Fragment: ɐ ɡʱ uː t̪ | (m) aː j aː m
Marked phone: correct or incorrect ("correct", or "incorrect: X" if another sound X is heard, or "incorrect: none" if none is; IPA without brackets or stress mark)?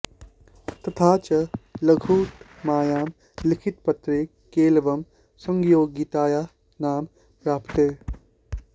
correct